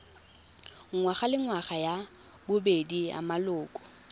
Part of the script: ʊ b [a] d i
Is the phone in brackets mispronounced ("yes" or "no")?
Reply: yes